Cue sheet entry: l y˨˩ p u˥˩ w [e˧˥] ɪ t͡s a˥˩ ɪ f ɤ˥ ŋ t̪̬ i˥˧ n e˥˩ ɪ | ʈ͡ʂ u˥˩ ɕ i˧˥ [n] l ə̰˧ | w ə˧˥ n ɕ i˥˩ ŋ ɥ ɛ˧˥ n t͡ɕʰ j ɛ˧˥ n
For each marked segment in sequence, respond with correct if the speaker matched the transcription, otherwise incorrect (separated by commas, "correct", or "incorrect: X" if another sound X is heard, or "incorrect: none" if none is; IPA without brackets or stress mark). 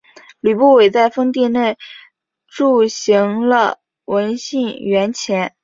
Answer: incorrect: e˨˩, incorrect: ŋ